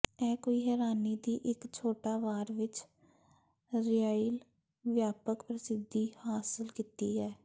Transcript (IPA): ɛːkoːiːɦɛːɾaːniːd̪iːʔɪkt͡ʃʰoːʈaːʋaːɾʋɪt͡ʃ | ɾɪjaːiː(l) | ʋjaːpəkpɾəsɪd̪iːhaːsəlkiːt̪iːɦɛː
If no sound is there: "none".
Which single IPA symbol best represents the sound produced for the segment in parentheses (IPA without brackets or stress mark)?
l